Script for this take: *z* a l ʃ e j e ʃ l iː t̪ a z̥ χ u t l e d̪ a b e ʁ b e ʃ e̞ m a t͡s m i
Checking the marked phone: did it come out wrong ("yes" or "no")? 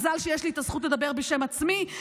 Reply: no